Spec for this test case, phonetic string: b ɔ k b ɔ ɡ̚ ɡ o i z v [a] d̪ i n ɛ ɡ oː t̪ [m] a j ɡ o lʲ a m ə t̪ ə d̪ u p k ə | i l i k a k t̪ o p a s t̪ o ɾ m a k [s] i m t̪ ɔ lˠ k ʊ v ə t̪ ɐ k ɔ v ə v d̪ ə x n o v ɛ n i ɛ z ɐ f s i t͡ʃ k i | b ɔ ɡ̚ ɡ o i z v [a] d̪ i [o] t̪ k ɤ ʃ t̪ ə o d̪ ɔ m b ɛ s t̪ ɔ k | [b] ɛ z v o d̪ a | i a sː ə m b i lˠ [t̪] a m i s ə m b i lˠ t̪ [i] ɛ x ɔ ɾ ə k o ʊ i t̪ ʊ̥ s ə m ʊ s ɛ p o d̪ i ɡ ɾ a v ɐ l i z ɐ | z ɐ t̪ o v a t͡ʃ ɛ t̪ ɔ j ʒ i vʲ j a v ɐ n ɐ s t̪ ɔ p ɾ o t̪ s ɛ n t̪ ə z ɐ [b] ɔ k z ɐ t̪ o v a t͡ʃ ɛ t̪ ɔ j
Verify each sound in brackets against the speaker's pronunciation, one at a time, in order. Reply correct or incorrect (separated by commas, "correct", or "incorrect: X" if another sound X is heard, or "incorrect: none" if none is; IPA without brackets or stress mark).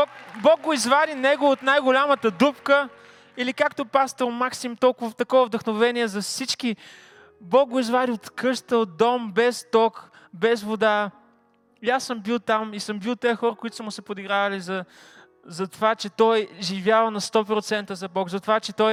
correct, incorrect: n, correct, correct, correct, correct, correct, incorrect: ɛ, correct